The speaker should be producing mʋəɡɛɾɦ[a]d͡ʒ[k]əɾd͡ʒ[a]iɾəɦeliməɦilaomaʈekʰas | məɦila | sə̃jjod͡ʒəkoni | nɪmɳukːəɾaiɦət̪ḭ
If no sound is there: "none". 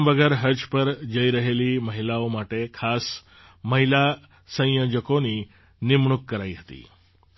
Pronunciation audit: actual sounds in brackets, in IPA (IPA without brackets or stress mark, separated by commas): ə, p, ə